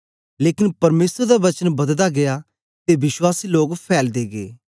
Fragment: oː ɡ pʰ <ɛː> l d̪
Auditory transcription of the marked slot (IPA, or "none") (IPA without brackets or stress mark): ɛː